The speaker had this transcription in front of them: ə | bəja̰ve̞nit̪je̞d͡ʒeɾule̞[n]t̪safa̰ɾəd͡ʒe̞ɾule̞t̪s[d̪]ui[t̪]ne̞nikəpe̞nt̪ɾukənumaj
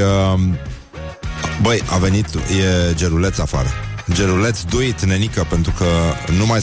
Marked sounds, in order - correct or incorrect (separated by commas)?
incorrect, correct, correct